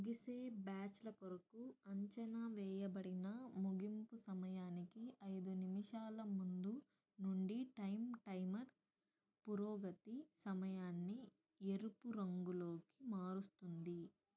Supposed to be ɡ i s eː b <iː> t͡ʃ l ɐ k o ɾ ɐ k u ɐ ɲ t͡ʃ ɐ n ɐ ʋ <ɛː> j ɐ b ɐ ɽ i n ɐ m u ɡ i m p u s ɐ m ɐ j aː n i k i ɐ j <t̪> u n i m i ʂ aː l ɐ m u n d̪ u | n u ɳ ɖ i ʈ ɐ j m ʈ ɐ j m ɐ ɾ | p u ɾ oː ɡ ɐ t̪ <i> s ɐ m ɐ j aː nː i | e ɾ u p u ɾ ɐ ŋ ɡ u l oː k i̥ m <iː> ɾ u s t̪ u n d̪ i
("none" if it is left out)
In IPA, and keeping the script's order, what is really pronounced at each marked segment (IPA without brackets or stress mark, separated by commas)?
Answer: aː, ɛː, d̪, i, aː